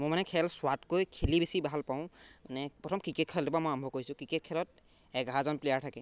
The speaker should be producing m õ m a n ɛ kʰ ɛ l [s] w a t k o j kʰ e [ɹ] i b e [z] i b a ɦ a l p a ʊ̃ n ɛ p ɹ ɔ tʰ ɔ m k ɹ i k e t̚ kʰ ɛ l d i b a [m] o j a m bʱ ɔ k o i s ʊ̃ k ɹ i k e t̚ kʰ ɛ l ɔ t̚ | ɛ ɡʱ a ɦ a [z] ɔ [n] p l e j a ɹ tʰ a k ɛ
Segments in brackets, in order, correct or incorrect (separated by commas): correct, incorrect, incorrect, correct, correct, correct